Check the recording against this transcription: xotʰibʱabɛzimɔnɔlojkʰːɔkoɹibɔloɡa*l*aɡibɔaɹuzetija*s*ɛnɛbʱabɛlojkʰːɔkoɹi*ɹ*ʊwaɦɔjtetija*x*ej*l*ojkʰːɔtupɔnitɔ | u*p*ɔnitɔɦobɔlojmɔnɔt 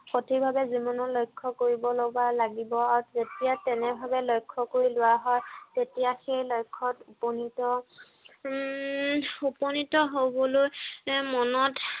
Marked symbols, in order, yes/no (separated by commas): yes, no, no, yes, yes, yes